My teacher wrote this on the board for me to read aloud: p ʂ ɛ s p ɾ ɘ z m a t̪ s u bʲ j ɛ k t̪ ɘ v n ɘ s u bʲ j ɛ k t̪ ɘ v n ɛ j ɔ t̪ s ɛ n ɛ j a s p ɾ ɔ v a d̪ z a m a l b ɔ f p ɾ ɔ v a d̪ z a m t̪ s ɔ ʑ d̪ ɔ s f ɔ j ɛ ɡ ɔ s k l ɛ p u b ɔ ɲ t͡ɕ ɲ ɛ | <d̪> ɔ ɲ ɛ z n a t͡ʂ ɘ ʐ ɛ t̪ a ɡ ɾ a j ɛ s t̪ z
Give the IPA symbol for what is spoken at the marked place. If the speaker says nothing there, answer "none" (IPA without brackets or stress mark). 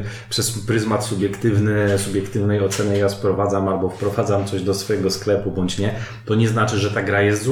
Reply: t̪